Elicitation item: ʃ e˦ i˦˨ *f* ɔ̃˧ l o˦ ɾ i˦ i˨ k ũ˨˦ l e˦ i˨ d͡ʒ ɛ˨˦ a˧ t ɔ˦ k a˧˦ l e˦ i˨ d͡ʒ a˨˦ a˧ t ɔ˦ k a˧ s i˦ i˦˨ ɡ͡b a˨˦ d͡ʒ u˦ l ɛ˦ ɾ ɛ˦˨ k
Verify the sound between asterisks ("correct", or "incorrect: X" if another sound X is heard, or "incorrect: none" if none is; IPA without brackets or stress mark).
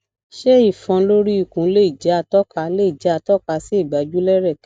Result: correct